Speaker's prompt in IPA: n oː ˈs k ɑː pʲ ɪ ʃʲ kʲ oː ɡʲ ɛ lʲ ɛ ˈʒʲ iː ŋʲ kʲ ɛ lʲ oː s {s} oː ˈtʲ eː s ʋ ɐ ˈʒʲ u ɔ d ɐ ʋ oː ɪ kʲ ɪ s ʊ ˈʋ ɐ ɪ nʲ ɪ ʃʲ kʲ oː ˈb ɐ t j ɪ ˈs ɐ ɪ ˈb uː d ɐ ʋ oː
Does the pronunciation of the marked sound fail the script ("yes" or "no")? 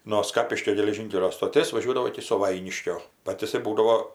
yes